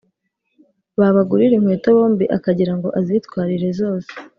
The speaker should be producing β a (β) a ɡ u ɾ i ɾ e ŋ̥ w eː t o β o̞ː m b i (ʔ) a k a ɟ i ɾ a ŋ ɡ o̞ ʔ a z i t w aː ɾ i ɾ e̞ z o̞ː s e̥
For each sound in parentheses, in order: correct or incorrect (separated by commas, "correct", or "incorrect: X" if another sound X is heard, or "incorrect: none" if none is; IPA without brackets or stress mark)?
correct, correct